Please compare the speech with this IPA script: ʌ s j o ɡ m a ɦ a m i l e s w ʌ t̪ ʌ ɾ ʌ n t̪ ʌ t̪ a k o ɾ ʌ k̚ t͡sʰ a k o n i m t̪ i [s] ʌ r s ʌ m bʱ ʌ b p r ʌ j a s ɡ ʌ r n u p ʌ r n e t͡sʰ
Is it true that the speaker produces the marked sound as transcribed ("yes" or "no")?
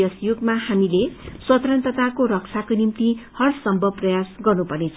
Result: no